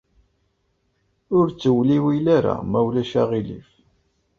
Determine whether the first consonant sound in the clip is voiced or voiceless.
voiced